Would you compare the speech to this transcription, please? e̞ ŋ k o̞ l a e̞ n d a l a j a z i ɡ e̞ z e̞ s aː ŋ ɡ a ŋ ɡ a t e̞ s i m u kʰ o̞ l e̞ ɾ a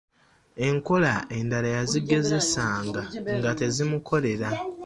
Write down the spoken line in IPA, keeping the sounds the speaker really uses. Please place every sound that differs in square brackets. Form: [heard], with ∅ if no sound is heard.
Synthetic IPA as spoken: e̞ ŋ k o̞ l a e̞ n d a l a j a z i ɡ e̞ z e̞ s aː ŋ ɡ a ŋ ɡ a t e̞ [z] i m u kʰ o̞ l e̞ ɾ a

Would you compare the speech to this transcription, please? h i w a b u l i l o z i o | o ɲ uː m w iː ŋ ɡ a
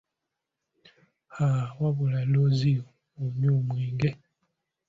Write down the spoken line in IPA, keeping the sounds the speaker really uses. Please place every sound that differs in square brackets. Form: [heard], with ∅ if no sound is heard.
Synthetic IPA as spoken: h [a] w a [β] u l [a] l o z i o | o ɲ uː m w iː ŋ ɡ [e]

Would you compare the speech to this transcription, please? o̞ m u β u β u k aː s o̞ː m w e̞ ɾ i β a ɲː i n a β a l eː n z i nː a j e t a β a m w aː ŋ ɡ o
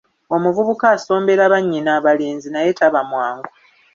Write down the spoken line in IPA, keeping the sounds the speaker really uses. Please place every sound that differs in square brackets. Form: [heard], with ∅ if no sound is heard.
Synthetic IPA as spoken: o̞ m u [v] u β u k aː s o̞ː m [b] e̞ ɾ [a] β a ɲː i n a β a l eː n z i [n] a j e t a β a m w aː ŋ ɡ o

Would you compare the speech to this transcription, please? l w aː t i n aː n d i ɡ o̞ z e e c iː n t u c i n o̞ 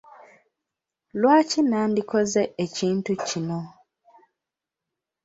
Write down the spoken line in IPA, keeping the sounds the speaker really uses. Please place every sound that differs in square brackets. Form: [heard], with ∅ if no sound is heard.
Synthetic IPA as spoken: l w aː [c] i n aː n d i [k] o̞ z e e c iː n t u c i n o̞

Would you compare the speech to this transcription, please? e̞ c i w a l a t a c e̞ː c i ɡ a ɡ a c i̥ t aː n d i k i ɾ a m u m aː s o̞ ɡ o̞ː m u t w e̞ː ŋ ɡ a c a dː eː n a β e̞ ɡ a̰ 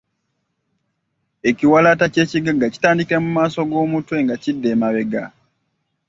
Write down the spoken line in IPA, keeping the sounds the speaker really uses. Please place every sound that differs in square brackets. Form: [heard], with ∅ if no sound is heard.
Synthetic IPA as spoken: e̞ c i w a l a t a c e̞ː c i ɡ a ɡ a c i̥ t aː n d i k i ɾ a m u m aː s o̞ ɡ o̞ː m u t w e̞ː ŋ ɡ a c [i] dː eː [m] a β e̞ ɡ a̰

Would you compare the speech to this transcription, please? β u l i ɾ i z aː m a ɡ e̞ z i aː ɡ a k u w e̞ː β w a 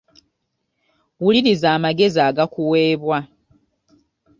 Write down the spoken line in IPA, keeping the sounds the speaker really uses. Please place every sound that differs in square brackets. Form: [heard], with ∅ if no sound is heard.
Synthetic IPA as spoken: [w] u l i ɾ i z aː m a ɡ e̞ z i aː ɡ a k u w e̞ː β w a

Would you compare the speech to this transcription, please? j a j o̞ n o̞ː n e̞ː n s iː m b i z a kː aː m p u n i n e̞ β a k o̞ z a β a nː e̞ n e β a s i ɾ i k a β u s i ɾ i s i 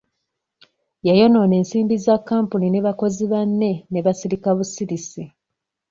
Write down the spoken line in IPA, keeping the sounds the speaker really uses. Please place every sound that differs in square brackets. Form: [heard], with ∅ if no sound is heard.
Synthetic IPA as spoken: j a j o̞ n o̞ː n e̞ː n s iː m b i z a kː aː m p u n i n e̞ β a k o̞ z [i] β a nː e̞ n e β a s i ɾ i k a β u s i ɾ i s i

